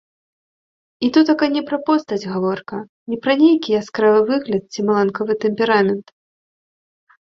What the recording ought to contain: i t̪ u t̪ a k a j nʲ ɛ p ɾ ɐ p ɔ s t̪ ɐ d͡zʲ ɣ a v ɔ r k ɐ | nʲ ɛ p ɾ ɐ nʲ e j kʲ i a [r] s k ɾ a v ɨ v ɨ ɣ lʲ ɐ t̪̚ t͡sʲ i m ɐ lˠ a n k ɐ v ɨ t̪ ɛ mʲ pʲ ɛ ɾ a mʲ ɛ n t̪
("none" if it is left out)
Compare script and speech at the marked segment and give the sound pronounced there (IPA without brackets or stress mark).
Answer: none